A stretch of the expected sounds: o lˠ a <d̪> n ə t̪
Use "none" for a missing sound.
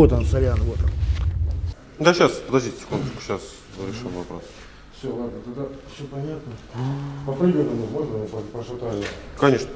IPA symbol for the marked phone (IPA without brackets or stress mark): d̪